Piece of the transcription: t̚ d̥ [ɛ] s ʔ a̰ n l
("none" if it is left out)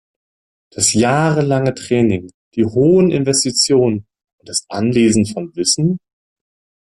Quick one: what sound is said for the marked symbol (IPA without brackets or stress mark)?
a